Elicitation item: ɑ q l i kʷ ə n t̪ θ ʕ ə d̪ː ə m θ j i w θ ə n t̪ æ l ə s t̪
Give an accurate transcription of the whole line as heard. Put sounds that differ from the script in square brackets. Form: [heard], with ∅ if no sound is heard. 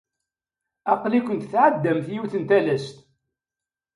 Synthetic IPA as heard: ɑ q l i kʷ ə n t̪ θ ʕ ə d̪ː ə m θ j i w θ ə n t̪ æ l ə s t̪